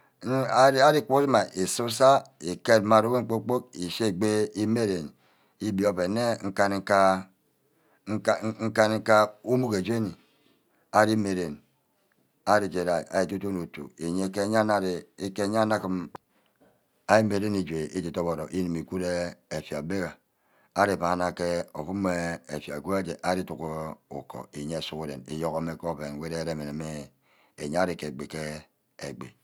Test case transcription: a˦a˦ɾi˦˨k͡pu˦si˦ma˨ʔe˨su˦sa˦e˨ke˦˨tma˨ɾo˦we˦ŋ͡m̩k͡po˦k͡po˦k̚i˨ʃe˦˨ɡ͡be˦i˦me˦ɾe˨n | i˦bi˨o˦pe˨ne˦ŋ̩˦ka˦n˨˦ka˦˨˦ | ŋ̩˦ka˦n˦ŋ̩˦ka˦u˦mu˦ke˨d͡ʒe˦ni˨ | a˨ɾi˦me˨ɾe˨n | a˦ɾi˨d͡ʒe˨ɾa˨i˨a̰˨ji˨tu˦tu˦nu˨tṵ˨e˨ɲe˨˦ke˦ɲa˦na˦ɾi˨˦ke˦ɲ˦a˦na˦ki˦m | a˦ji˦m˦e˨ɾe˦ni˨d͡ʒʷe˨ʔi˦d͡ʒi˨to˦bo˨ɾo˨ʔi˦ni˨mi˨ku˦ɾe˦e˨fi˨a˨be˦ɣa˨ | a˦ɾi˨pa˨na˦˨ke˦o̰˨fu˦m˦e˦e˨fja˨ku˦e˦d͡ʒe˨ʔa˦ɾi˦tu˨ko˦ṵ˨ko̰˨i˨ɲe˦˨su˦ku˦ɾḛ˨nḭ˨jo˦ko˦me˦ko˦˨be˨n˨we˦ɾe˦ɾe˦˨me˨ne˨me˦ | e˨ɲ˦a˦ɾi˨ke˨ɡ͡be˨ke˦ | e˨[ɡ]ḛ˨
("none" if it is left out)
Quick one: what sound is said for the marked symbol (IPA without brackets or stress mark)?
ɡ͡b